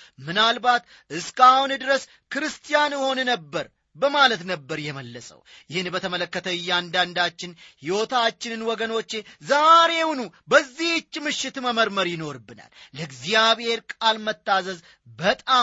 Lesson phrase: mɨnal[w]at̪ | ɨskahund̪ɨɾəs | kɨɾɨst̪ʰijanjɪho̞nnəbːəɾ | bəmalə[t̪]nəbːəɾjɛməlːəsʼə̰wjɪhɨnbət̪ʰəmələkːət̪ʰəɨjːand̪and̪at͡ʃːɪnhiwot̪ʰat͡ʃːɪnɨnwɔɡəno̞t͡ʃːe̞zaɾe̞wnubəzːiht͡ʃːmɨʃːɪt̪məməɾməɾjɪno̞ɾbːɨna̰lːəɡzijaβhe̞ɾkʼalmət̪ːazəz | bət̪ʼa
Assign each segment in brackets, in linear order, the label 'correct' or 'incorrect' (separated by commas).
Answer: incorrect, correct